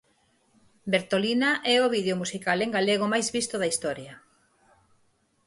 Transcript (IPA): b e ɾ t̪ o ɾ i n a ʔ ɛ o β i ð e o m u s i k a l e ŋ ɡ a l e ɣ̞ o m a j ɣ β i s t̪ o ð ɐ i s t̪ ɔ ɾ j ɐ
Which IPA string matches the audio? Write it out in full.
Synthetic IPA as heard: b e ɾ t̪ o l i n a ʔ ɛ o β i ð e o m u s i k a l e ŋ ɡ a l e ɣ̞ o m a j z β i s t̪ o ð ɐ i s t̪ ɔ ɾ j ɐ